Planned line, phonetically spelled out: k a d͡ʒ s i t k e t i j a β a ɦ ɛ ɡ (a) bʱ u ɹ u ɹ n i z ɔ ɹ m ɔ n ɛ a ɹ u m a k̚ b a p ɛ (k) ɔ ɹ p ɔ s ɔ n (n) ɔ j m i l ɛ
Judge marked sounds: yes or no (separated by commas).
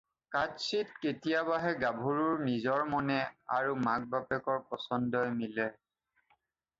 yes, yes, no